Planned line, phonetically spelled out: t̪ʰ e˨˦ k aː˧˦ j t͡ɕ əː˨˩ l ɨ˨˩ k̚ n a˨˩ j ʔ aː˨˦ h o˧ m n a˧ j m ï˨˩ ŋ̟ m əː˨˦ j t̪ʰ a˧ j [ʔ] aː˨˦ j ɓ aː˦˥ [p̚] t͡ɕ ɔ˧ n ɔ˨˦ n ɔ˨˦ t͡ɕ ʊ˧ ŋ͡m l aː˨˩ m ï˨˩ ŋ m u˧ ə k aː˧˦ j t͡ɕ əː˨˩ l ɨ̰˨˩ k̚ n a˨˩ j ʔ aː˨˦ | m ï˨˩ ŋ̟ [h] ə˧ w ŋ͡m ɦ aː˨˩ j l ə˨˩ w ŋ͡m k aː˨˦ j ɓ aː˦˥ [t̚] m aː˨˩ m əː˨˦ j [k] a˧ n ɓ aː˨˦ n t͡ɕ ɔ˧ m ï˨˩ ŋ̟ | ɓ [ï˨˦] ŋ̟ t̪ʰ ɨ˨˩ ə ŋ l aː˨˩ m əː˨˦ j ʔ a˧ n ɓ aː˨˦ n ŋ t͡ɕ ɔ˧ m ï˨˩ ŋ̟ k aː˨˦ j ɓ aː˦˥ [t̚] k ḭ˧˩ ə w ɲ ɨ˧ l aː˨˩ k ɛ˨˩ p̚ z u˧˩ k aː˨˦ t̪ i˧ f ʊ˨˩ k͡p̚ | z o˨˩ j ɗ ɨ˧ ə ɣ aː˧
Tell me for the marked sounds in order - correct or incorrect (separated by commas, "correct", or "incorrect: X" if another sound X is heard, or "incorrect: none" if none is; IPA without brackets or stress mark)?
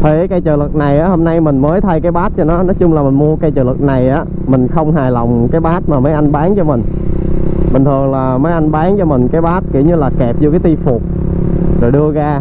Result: incorrect: k, incorrect: t̚, incorrect: x, correct, incorrect: ʔ, incorrect: ï˨˩, correct